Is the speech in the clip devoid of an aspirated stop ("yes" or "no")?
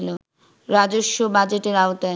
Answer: yes